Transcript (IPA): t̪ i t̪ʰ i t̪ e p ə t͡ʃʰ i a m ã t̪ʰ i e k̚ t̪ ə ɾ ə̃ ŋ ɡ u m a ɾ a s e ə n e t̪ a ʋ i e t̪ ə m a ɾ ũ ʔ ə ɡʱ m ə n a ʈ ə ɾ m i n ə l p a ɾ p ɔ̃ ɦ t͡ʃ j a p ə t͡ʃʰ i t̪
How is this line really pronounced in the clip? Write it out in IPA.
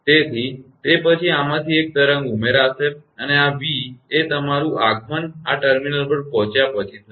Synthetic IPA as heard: t̪ e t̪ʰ i t̪ e p ə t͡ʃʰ i a m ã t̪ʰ i e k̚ t̪ ə ɾ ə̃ ŋ ɡ u m e ɾ a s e ə n e a ʋ i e t̪ ə m a ɾ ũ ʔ a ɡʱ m ə n a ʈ ə ɾ m i n ə l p ə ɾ p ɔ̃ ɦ t͡ʃ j a p ə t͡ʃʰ i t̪